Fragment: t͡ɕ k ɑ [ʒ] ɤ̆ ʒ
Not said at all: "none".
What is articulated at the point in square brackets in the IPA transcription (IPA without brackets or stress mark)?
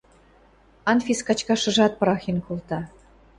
ʃ